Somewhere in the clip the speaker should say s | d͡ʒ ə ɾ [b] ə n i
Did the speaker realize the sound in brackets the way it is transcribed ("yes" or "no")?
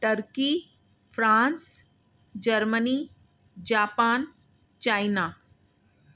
no